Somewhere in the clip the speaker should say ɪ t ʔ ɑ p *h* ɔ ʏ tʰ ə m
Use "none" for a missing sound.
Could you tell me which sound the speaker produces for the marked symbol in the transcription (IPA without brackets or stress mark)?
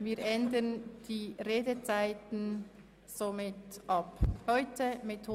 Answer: h